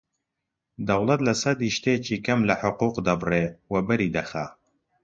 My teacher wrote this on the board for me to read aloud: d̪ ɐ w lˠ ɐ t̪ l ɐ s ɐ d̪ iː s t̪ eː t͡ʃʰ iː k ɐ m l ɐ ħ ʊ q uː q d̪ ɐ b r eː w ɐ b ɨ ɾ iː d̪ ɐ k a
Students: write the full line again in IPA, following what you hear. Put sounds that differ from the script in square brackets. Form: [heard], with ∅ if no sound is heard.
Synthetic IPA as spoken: d̪ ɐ w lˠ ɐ t̪ l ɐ s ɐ d̪ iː [ʃ] t̪ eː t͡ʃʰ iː k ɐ m l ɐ ħ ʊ q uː q d̪ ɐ b r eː w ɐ b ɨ ɾ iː d̪ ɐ [x] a